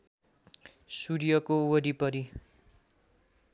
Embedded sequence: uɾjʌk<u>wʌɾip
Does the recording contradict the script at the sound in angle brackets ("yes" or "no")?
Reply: yes